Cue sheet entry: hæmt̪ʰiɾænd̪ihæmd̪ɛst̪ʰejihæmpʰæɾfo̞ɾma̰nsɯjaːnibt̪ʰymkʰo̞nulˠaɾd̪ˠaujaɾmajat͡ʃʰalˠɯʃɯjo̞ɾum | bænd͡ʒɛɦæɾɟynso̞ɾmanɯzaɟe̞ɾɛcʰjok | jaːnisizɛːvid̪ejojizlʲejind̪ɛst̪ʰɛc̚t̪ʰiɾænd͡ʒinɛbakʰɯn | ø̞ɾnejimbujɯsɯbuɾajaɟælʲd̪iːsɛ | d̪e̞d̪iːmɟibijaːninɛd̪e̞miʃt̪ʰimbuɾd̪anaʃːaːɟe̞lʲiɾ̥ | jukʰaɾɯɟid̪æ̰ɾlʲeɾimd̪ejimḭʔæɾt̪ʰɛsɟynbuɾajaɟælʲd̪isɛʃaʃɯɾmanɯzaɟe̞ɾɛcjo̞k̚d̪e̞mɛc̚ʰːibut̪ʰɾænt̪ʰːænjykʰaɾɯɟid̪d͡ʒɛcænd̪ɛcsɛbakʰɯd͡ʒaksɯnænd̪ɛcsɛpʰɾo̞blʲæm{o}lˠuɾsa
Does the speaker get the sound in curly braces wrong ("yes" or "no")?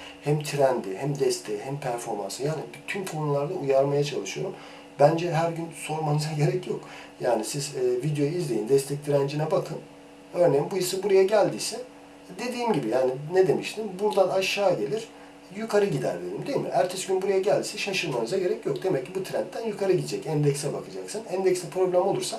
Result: no